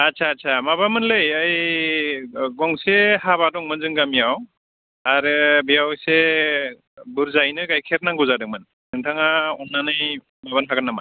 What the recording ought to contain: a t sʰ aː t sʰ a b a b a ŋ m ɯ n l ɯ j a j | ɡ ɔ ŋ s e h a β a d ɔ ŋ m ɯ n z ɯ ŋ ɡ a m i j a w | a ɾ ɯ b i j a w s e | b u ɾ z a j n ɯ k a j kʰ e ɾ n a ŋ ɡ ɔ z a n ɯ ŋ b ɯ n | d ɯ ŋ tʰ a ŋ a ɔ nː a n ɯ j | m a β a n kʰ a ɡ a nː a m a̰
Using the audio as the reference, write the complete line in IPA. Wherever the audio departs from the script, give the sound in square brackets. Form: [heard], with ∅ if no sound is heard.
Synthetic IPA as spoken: a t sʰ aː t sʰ a [m] a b a [∅] m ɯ n l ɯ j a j | ɡ ɔ ŋ s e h a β a d ɔ ŋ m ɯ n z ɯ ŋ ɡ a m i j a w | a ɾ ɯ b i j a w s e | b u ɾ z a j n ɯ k a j kʰ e ɾ n a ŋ ɡ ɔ z a [d] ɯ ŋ [m] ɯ n | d ɯ ŋ tʰ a ŋ a ɔ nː a n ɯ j | m a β a n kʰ a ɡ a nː a m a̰